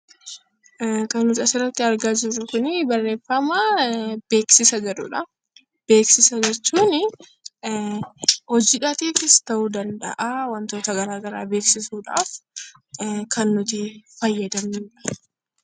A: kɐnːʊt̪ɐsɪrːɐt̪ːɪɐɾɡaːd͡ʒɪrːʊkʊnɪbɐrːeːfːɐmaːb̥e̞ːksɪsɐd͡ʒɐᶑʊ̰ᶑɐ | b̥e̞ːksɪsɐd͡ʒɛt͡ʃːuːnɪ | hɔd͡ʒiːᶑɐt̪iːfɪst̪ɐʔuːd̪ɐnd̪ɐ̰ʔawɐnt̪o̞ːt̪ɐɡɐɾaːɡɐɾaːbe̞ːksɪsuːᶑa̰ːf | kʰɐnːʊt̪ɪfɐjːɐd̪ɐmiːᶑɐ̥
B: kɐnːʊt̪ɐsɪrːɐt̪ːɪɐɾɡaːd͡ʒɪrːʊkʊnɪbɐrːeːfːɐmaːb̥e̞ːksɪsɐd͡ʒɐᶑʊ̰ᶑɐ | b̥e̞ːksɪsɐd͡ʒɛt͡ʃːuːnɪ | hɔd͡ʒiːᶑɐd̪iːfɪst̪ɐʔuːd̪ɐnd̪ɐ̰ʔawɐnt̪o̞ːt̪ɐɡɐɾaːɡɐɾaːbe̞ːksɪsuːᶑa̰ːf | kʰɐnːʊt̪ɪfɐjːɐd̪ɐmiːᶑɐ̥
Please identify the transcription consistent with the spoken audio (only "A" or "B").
A